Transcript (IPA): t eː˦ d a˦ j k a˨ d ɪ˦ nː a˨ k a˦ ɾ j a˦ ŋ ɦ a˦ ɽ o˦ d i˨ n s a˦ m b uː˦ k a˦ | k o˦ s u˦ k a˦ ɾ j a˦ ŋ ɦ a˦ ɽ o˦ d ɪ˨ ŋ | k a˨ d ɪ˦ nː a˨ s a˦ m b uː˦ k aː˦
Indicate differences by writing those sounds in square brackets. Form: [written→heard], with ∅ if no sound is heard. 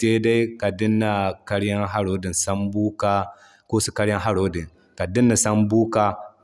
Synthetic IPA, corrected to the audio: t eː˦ d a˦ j k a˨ d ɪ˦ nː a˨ k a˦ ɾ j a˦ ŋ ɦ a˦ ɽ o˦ d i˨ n s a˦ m b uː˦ k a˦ | k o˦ s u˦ k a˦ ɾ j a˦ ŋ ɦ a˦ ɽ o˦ d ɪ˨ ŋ | k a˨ d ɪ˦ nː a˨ s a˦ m b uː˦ k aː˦